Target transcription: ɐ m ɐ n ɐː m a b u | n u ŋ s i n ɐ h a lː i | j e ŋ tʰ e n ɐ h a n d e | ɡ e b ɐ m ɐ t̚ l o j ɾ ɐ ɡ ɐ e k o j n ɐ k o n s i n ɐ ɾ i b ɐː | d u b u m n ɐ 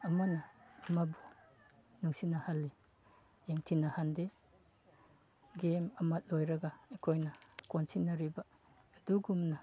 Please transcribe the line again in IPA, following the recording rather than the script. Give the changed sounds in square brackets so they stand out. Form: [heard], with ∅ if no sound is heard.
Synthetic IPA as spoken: ɐ m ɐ n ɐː m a b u | n u ŋ s i n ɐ h a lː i | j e ŋ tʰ [i] n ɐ h a n d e | ɡ e [m] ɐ m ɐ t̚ l o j ɾ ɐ ɡ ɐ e [kʰ] o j n ɐ k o n s i n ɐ ɾ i b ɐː | d u [ɡ] u m n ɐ